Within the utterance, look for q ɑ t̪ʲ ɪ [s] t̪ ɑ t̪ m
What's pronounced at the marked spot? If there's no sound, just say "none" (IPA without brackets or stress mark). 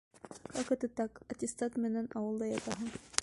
s